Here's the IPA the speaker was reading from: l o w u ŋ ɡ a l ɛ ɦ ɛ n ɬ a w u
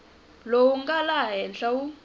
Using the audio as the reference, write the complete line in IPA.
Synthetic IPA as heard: l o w u ŋ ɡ a l a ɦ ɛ n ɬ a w u